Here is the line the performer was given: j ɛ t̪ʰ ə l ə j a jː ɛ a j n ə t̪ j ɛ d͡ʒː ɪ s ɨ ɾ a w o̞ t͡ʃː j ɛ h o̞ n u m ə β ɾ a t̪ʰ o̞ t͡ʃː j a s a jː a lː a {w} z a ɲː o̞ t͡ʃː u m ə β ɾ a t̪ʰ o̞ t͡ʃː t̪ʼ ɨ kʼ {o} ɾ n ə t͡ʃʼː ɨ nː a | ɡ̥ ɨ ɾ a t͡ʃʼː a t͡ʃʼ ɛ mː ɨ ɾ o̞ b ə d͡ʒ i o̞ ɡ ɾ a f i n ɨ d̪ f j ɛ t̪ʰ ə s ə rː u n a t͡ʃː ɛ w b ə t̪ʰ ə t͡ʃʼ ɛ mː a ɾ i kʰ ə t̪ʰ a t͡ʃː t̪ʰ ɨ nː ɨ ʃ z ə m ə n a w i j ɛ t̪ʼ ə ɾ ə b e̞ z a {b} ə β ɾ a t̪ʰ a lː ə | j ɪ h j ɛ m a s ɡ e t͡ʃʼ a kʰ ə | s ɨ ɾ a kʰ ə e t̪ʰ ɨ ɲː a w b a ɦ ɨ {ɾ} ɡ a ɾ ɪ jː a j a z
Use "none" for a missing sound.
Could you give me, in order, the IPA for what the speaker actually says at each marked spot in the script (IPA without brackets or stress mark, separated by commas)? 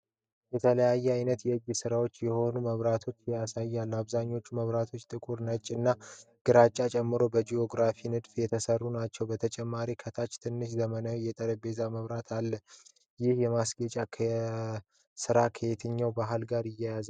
β, u, m, l